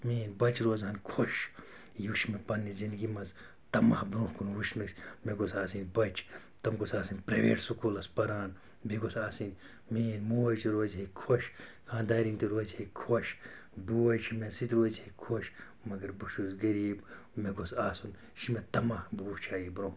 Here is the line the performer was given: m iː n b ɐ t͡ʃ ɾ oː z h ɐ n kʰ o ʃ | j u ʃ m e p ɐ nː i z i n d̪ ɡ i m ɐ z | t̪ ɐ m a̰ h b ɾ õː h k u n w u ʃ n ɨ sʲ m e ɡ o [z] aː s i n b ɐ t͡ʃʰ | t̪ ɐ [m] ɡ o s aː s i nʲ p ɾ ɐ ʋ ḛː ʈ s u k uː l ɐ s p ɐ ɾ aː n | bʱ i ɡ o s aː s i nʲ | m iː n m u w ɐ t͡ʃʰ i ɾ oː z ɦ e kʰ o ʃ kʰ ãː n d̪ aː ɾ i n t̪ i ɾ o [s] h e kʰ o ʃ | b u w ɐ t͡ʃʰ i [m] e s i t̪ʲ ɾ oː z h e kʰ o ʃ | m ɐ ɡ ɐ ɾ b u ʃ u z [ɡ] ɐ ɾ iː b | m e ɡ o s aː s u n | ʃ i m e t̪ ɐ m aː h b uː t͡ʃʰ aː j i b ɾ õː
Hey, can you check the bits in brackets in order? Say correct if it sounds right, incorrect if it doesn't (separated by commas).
incorrect, correct, incorrect, correct, correct